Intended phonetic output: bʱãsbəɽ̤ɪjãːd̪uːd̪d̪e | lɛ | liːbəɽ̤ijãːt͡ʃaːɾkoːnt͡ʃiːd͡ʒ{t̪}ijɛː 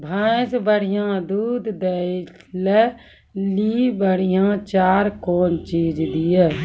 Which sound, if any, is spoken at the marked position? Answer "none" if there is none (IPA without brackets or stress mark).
d̪